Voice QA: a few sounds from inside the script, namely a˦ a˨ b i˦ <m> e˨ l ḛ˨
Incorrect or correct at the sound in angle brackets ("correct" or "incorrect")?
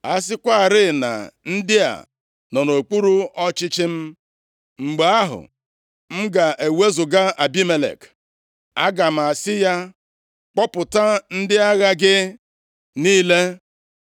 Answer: correct